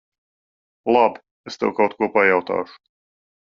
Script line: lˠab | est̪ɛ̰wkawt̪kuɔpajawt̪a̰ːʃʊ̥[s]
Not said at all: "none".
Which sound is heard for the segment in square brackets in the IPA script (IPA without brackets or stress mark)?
none